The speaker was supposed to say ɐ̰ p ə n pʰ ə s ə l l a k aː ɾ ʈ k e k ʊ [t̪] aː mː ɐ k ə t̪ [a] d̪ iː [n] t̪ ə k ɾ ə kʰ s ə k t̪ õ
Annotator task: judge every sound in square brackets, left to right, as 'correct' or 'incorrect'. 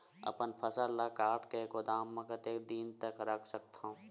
incorrect, incorrect, correct

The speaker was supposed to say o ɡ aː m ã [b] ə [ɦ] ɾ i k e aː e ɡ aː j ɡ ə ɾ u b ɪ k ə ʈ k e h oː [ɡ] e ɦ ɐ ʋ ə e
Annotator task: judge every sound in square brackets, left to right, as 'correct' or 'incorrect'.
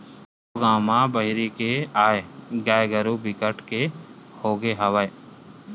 correct, correct, correct

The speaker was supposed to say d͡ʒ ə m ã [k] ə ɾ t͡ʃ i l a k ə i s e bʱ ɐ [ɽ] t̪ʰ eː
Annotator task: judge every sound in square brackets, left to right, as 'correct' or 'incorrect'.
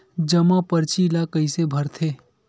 incorrect, incorrect

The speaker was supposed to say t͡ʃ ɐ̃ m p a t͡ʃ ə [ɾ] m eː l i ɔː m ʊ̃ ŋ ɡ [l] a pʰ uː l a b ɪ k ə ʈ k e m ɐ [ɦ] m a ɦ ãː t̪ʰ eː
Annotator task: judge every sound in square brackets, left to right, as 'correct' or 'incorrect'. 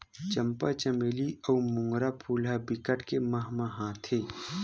incorrect, incorrect, correct

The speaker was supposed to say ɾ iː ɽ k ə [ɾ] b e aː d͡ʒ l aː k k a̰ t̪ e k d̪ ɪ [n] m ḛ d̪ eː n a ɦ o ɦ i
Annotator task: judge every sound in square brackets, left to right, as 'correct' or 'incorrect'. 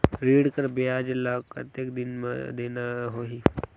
correct, correct

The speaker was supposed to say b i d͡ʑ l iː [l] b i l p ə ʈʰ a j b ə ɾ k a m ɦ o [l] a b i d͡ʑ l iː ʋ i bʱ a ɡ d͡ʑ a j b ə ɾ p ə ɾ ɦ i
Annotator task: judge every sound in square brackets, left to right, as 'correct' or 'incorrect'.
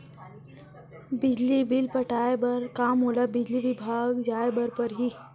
incorrect, correct

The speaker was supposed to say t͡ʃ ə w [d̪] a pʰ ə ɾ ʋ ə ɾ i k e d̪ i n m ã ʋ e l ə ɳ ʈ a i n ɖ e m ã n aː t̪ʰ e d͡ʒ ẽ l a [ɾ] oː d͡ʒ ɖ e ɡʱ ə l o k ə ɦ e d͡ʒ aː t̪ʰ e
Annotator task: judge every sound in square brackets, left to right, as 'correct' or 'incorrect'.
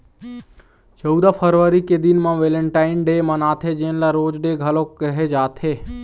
correct, correct

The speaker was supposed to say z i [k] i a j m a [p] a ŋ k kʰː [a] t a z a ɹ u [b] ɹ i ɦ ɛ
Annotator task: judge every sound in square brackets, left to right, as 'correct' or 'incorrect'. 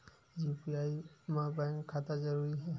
incorrect, incorrect, correct, incorrect

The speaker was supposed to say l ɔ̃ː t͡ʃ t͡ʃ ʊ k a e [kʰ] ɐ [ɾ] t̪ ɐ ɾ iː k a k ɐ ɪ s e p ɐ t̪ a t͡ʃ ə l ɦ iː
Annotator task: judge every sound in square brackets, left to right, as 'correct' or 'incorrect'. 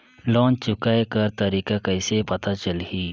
incorrect, correct

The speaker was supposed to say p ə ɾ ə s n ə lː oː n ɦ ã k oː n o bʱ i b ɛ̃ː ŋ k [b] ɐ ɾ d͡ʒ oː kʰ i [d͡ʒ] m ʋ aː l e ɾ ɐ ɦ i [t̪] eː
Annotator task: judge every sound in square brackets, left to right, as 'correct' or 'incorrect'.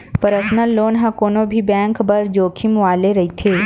correct, incorrect, incorrect

